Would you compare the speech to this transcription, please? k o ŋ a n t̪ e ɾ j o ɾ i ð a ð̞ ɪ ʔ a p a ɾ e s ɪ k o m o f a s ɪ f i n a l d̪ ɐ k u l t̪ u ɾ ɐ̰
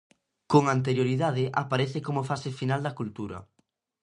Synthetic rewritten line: k o ŋ a n t̪ e ɾ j o ɾ i ð a ð̞ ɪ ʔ a p a ɾ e θ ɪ k o m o f a s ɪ f i n a l d̪ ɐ k u l t̪ u ɾ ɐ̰